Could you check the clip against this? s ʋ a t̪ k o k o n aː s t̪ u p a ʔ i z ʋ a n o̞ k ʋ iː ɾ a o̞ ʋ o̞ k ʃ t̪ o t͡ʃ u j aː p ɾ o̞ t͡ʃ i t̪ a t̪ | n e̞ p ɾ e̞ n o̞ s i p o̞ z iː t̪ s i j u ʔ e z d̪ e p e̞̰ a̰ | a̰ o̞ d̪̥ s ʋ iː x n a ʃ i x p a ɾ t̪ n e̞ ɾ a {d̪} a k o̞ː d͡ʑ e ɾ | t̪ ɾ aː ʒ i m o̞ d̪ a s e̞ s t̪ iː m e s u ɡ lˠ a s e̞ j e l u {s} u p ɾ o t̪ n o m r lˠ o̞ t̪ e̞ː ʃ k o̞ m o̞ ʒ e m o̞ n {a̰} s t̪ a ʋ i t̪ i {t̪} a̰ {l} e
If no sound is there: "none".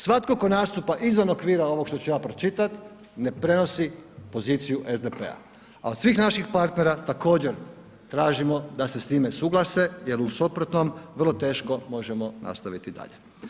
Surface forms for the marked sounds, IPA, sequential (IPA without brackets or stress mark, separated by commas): t̪, s, a̰, d̪, ʎ